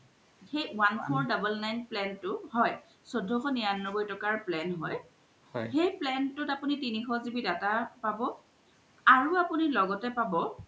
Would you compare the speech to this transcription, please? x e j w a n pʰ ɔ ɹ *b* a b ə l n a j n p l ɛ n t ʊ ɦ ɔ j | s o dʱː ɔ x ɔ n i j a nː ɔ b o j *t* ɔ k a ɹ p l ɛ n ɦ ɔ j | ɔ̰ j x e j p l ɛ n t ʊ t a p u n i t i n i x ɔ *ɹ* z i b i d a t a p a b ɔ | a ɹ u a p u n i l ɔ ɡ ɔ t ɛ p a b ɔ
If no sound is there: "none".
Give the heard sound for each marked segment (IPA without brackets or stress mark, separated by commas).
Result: d, t, none